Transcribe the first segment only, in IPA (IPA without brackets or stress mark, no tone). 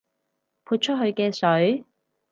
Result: pʰ